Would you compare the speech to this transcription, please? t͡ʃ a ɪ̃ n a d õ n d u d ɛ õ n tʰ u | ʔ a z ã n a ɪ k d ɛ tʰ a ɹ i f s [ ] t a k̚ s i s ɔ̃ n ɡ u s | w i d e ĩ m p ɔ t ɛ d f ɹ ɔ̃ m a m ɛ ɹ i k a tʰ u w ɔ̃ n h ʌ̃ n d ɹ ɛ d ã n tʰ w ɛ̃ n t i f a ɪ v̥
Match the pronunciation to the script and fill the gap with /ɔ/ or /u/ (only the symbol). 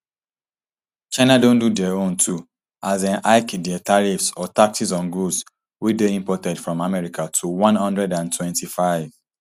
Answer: ɔ